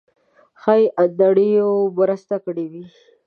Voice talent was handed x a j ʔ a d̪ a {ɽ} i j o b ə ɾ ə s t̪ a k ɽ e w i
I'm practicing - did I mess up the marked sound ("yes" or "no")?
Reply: no